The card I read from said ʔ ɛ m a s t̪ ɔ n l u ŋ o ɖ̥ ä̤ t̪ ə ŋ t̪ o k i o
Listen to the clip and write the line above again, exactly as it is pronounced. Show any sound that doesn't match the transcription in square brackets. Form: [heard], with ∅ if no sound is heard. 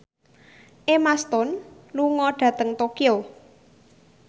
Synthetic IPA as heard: ʔ [e] m a s t̪ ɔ n l u ŋ [ɔ] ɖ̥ ä̤ t̪ ə ŋ t̪ o k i o